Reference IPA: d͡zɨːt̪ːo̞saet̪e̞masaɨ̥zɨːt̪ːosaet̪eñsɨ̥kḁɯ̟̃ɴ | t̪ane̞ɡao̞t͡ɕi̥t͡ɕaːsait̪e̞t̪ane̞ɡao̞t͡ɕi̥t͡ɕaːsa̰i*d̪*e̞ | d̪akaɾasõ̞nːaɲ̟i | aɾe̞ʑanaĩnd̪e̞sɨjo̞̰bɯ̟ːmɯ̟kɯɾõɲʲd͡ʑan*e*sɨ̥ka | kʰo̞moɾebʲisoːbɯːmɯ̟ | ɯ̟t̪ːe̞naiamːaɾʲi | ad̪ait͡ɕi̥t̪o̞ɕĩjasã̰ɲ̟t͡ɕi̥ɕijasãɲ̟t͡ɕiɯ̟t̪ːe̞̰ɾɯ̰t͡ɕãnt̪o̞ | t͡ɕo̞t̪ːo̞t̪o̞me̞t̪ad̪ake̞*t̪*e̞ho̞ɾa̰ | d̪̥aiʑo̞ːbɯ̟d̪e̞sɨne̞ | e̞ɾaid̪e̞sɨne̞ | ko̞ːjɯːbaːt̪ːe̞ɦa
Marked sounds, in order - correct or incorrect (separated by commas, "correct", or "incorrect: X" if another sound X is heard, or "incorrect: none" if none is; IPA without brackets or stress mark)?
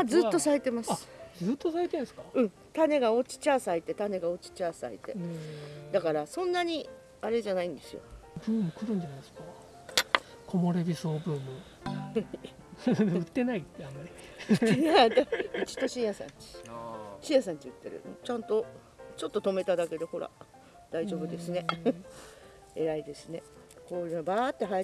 incorrect: t̪, incorrect: a, incorrect: d̪